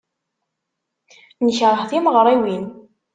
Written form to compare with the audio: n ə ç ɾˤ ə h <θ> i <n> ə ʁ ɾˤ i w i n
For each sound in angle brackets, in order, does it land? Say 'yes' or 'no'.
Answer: yes, no

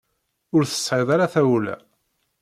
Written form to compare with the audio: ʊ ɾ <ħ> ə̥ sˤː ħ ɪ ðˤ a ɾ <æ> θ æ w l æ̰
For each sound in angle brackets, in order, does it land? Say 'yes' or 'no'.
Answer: no, no

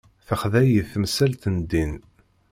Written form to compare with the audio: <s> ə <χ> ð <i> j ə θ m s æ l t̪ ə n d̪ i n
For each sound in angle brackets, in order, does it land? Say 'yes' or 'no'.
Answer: no, yes, no

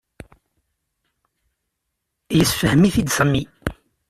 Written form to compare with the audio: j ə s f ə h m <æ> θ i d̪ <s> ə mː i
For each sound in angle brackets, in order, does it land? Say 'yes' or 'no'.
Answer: no, yes

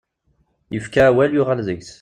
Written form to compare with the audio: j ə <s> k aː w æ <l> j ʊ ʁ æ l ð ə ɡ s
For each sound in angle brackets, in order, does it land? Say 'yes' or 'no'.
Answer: no, yes

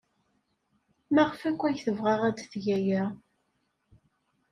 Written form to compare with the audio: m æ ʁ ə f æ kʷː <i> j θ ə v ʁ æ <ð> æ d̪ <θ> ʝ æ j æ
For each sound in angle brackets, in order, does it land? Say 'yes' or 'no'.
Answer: no, no, yes

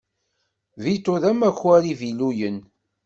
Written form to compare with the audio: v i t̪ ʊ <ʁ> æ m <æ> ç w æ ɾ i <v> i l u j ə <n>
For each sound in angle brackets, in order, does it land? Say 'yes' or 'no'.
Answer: no, yes, yes, yes

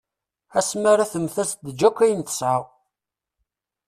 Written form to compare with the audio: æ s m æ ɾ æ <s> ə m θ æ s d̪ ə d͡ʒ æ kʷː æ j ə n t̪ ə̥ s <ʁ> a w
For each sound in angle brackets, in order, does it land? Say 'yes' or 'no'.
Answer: no, no

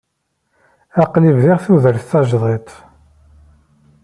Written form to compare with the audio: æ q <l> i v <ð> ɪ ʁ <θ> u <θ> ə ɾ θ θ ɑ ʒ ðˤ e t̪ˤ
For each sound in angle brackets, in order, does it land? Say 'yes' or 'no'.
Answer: yes, yes, yes, no

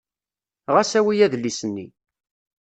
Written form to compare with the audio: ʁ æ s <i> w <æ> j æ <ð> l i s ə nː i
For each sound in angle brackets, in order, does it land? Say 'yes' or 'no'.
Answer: no, no, yes

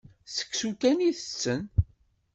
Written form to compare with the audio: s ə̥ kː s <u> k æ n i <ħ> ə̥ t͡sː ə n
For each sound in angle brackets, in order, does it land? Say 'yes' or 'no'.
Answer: yes, no

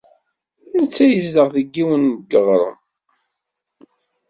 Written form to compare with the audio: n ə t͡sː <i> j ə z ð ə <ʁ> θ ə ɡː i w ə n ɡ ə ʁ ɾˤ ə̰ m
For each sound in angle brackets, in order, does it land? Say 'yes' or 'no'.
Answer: no, yes

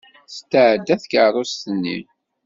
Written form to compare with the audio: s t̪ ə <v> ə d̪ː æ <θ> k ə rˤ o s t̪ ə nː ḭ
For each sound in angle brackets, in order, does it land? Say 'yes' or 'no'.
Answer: no, yes

